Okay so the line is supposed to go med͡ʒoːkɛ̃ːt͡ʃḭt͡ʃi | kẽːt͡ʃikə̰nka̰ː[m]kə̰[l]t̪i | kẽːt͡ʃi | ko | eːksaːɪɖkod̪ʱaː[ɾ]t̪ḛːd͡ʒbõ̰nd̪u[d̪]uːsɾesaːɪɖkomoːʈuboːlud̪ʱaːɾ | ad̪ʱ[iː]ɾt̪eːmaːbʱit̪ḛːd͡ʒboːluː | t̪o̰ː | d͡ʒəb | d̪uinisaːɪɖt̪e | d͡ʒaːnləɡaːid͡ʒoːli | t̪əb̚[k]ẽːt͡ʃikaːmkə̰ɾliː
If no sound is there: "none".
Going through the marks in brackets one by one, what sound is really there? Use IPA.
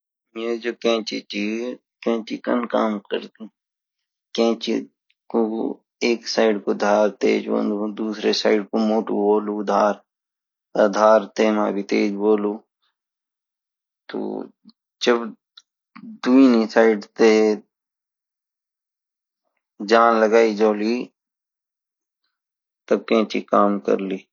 m, ɾ, ɾ, d̪, aː, k

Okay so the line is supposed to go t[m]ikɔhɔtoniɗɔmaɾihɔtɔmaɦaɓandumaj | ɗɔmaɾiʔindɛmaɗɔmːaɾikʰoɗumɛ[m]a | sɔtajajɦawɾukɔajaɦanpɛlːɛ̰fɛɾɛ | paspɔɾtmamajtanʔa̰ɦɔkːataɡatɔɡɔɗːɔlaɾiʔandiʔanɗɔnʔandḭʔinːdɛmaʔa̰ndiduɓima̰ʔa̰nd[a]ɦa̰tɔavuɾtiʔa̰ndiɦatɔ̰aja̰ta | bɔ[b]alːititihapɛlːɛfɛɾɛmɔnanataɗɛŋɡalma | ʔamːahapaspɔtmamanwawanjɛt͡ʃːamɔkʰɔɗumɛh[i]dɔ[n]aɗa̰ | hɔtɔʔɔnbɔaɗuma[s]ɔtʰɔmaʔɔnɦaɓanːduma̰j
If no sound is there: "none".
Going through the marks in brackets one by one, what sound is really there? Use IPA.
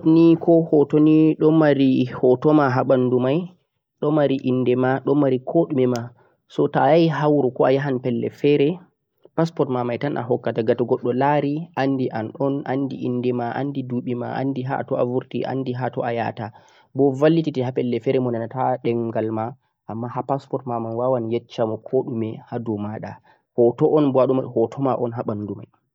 n, m, i, v, a, m, h

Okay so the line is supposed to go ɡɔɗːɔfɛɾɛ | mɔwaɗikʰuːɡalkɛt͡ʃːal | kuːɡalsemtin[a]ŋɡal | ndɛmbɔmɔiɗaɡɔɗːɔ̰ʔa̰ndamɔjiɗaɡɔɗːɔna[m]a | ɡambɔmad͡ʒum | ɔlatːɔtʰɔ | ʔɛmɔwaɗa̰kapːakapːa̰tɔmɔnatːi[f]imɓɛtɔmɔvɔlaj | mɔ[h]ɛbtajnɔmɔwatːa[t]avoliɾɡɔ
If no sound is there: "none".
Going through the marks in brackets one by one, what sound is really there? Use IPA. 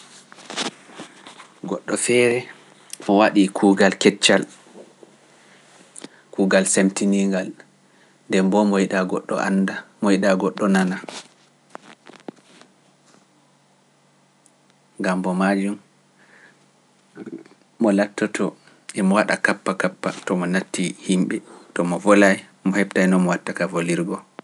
i, n, h, h, k

